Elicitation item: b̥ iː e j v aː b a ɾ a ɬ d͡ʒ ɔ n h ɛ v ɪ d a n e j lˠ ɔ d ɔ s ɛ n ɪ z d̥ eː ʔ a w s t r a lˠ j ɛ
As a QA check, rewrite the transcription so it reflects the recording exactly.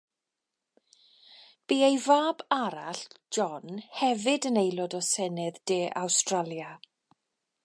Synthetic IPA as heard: b̥ iː e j v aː b a ɾ a ɬ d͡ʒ ɔ n h ɛ v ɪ d ə n e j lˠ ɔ d ɔ s ɛ n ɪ ð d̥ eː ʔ a w s t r a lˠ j a

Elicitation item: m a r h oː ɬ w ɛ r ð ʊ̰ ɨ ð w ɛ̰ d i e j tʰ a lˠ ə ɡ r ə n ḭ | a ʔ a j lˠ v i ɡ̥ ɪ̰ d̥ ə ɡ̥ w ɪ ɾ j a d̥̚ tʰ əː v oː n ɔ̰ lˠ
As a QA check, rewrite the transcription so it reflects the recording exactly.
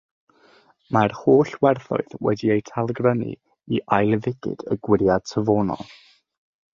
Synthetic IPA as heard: m a r h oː ɬ w ɛ r θ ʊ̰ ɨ ð w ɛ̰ d i e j tʰ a lˠ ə ɡ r ə n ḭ | i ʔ a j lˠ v ɪ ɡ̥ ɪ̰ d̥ ə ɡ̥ w ɪ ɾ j a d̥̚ tʰ ə v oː n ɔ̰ lˠ

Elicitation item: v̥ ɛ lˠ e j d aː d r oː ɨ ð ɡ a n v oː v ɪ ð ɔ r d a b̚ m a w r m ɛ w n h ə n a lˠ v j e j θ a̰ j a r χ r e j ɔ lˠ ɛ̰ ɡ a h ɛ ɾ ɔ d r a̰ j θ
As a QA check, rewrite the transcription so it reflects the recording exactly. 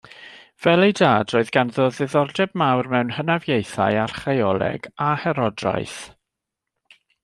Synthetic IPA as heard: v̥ ɛ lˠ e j d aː d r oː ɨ ð ɡ a n ð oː ð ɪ ð ɔ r d ɛ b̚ m a w r m ɛ w n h ə n a v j e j θ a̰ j a r χ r e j ɔ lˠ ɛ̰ ɡ a h ɛ ɾ ɔ d r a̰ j θ

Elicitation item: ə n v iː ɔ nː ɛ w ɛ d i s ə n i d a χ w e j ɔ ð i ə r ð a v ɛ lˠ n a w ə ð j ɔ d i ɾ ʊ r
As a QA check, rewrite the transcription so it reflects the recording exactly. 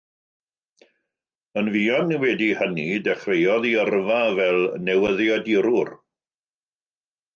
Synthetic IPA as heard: ə n v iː ɔ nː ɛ w ɛ d i h ə n i d ɛ χ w e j ɔ ð i ə r v a v ɛ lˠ n ɛ w ə ð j ɔ d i ɾ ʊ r

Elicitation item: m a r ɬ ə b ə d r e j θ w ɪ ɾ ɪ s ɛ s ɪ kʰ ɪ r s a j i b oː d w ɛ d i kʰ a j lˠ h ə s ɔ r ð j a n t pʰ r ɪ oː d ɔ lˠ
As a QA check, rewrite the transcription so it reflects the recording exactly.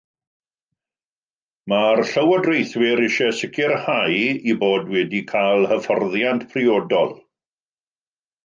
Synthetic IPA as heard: m a r ɬ ə w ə d r e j θ w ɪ ɾ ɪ ʃ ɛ s ɪ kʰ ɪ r h a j i b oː d w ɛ d i kʰ a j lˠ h ə f ɔ r ð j a n t pʰ r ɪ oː d ɔ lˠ

